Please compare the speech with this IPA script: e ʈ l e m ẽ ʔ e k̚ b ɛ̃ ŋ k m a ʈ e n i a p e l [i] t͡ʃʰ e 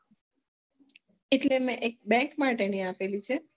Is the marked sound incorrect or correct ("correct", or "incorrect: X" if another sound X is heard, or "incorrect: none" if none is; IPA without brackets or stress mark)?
correct